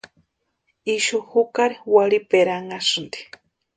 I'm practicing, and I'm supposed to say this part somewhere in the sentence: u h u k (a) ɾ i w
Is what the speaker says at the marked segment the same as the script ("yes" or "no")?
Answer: yes